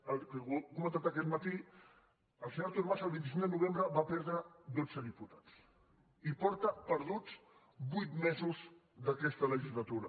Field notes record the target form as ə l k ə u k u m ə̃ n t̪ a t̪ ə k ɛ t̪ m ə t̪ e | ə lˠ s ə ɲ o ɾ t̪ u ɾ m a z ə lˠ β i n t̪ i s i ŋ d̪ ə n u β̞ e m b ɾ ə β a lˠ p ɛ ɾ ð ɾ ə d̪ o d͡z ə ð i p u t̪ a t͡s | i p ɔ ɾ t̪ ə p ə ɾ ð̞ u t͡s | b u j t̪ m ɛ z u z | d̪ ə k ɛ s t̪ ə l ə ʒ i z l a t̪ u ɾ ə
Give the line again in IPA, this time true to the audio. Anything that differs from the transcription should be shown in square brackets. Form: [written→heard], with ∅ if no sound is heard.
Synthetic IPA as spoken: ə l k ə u k u m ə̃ n t̪ a t̪ ə k ɛ t̪ m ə t̪ [e→i] | ə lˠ s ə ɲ o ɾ t̪ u ɾ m a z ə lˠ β i n t̪ i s i ŋ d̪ ə n u β̞ e m b ɾ ə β a [lˠ→∅] p ɛ ɾ ð ɾ ə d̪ o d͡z ə ð i p u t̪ a t͡s | i p ɔ ɾ t̪ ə p ə ɾ ð̞ u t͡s | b u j t̪ m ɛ z u z | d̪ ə k ɛ s t̪ ə l ə ʒ i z l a t̪ u ɾ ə